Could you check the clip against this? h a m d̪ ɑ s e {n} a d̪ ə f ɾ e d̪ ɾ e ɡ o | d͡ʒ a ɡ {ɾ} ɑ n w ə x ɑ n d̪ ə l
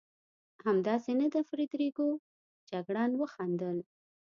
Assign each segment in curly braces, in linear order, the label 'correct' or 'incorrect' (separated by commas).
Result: correct, incorrect